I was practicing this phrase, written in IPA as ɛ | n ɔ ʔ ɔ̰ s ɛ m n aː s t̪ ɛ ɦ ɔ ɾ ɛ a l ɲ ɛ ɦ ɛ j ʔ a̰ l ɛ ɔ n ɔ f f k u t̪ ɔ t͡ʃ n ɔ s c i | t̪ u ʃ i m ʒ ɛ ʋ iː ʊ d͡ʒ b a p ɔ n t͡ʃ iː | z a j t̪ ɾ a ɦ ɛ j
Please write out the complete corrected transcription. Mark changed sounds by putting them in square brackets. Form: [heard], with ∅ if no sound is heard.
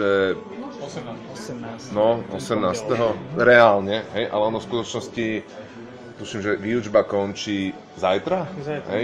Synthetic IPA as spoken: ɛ | n ɔ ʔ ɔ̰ s ɛ m n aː s t̪ ɛ ɦ ɔ ɾ ɛ a l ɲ ɛ ɦ ɛ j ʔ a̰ l ɛ ɔ n ɔ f [s] k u t̪ ɔ t͡ʃ n ɔ s c i | t̪ u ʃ i m ʒ ɛ ʋ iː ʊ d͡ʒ b a [k] ɔ n t͡ʃ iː | z a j t̪ ɾ a ɦ ɛ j